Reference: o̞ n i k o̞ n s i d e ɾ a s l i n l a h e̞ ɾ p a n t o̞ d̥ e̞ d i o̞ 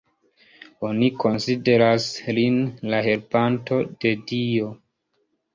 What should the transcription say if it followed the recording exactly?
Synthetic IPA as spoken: o̞ n i k o̞ n s i d e ɾ a s l i n l a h e̞ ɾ p a n t o̞ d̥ e̞ d i o̞